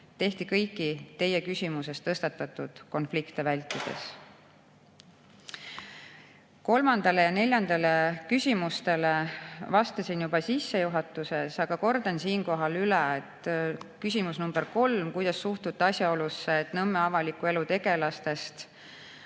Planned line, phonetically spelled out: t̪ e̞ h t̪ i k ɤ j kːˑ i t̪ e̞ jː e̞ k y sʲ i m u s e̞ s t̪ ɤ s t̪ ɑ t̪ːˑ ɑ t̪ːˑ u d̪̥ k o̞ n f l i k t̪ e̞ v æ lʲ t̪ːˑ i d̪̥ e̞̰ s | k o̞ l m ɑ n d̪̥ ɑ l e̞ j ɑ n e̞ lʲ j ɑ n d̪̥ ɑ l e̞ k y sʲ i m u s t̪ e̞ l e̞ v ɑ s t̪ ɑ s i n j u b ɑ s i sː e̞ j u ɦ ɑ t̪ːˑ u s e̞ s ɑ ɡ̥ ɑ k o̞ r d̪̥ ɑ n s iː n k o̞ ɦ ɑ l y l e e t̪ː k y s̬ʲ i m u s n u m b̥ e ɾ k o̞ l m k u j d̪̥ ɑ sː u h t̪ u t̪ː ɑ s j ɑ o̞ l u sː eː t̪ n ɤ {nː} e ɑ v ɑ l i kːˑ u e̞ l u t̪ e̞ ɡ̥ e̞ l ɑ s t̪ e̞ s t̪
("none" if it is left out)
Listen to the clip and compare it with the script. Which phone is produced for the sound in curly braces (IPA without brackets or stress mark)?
mː